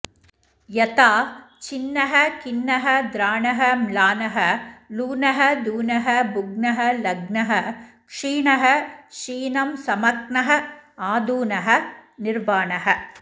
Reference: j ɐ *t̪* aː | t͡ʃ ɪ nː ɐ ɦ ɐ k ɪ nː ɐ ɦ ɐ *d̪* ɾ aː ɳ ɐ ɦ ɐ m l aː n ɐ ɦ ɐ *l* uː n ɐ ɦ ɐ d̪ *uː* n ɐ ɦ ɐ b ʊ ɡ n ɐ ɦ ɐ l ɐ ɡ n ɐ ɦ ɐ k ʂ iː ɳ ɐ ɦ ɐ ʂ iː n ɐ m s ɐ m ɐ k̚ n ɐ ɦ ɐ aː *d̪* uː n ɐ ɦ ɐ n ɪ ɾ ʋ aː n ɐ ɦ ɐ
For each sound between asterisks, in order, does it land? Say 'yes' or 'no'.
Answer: yes, yes, yes, yes, yes

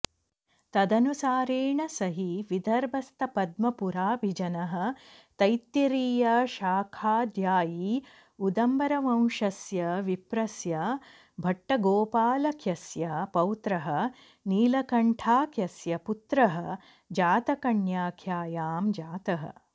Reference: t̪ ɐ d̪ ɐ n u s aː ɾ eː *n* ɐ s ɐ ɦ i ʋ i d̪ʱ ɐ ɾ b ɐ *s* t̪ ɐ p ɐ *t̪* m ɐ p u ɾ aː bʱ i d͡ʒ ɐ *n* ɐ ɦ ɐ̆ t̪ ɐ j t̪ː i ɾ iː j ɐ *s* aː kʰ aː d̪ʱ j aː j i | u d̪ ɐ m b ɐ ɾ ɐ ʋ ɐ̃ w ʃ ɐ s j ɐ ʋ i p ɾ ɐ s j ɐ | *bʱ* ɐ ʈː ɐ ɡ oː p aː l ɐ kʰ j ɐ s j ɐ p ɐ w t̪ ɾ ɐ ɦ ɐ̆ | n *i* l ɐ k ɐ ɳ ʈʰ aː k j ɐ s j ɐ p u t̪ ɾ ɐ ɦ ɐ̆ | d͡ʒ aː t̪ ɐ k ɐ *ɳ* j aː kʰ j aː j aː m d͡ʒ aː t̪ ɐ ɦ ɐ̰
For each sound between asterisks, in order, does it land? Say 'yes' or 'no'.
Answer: no, yes, no, yes, no, yes, no, yes

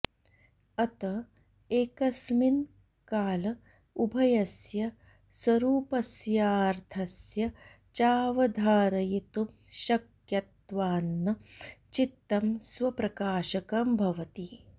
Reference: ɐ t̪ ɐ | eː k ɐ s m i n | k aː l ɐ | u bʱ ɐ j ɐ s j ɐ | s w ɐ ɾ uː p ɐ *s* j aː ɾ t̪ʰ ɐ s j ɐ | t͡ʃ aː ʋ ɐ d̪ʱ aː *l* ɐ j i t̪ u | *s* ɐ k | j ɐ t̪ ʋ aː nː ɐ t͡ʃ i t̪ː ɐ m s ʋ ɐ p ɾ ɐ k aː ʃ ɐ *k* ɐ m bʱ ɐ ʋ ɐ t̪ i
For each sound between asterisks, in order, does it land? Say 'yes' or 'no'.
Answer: yes, no, no, yes

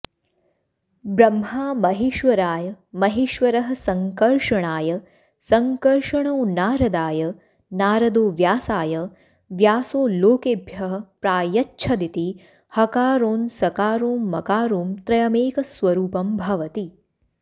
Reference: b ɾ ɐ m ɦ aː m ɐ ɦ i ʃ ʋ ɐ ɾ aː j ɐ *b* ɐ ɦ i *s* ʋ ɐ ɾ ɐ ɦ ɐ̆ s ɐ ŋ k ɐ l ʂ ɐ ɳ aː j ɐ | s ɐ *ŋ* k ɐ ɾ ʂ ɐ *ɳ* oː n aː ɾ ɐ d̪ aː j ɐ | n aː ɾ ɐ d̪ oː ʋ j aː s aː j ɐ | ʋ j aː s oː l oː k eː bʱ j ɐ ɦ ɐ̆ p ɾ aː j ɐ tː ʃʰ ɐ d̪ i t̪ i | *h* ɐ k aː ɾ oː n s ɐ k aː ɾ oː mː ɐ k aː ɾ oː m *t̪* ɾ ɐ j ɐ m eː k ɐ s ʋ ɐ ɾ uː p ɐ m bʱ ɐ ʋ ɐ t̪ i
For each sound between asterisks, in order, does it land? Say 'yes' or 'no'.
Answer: no, no, yes, yes, yes, yes

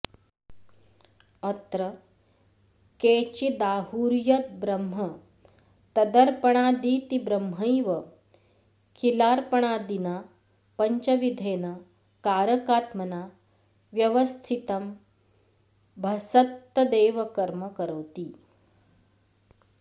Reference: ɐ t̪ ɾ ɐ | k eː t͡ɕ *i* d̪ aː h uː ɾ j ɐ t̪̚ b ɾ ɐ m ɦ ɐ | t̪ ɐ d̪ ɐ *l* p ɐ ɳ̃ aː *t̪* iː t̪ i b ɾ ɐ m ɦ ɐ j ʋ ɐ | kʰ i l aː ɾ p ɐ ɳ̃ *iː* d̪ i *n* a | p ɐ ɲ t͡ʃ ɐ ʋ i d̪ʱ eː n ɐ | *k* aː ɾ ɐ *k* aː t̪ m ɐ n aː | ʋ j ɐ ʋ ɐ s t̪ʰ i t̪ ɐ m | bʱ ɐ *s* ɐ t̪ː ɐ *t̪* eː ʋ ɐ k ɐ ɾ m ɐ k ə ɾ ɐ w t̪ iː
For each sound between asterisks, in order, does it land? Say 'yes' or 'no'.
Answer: yes, no, no, no, yes, yes, yes, yes, no

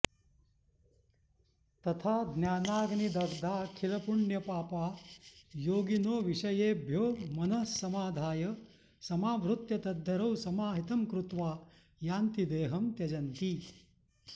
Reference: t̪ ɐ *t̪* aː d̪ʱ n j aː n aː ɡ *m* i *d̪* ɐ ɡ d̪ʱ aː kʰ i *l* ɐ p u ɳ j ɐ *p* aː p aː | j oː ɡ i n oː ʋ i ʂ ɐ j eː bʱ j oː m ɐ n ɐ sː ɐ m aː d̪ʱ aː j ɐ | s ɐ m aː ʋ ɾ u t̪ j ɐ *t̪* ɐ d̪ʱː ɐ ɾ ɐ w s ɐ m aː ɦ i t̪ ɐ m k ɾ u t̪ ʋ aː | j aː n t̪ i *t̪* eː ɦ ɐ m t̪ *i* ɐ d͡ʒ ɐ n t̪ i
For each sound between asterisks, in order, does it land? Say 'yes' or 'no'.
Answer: no, no, yes, yes, yes, yes, no, no

